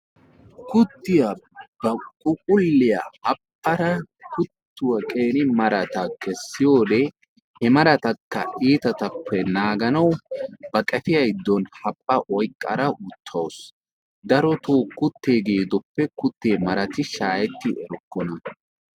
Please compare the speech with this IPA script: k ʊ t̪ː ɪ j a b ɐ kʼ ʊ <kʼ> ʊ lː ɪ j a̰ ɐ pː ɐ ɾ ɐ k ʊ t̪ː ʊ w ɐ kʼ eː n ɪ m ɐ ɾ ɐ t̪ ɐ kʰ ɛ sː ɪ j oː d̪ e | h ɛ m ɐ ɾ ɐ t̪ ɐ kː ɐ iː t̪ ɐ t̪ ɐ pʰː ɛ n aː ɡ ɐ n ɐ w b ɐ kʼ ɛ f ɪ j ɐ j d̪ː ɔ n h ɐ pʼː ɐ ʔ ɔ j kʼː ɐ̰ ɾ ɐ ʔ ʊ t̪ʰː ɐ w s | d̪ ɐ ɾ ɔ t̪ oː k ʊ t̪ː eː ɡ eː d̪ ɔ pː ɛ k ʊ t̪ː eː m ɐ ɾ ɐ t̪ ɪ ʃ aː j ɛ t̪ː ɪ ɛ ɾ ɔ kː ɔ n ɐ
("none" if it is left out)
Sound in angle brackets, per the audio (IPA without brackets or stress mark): kʼ